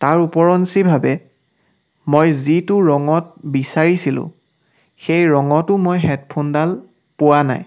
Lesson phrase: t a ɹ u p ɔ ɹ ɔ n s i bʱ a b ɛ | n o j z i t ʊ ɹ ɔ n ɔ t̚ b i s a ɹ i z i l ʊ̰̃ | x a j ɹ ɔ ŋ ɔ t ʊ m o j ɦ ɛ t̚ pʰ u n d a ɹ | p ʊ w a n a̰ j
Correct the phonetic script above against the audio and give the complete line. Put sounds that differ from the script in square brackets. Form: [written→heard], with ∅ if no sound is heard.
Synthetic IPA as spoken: t a ɹ u p ɔ ɹ ɔ n s i bʱ a b ɛ | [n→m] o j z i t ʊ ɹ ɔ [n→ŋ] ɔ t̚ b i s a ɹ i [z→s] i l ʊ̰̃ | x [a→e] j ɹ ɔ ŋ ɔ t ʊ m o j ɦ ɛ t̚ pʰ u n d a [ɹ→l] | p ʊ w a n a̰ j